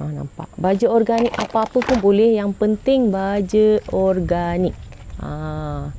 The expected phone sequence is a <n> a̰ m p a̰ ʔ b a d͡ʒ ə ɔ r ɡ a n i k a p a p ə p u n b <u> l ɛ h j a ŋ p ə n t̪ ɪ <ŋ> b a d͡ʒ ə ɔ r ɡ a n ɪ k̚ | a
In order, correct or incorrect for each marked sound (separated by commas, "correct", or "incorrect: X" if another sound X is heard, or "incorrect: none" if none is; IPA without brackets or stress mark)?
correct, incorrect: o, correct